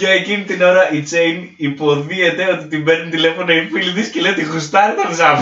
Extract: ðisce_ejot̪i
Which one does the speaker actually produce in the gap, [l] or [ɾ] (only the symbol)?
l